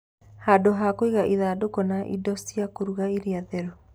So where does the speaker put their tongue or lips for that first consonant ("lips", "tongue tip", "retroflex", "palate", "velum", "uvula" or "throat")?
throat